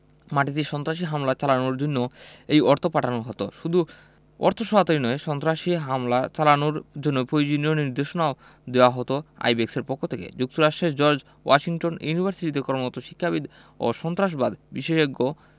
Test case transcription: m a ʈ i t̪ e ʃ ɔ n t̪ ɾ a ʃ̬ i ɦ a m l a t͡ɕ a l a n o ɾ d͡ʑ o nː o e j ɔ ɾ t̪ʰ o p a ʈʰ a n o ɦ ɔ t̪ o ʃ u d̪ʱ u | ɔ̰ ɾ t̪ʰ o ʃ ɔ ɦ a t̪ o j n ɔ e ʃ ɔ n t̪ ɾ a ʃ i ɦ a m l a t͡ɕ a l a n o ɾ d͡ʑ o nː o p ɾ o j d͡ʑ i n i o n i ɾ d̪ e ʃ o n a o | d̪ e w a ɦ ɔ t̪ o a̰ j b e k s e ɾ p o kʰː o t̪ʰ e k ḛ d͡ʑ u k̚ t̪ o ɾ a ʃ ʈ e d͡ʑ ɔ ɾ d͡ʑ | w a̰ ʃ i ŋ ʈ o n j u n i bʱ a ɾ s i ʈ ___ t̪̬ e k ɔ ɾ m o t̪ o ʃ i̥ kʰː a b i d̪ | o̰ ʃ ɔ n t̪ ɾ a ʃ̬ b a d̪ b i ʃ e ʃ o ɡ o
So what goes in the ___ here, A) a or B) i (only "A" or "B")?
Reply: B